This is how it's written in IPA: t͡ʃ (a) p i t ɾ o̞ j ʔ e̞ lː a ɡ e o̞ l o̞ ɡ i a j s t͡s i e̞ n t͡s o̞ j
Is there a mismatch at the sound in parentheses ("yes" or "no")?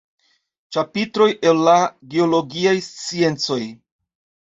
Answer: no